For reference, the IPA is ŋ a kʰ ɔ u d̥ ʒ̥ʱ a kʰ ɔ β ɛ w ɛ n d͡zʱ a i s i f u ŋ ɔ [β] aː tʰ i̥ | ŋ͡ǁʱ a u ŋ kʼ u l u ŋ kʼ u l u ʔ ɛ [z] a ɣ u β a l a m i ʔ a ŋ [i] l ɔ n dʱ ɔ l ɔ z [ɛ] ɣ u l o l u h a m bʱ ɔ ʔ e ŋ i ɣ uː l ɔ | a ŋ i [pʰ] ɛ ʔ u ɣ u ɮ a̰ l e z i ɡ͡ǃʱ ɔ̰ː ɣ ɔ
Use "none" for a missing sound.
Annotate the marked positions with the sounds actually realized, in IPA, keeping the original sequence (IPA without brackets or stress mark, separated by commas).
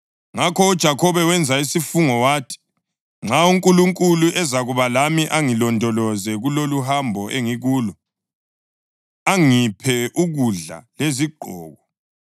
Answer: w, z, i, ɛ, pʰ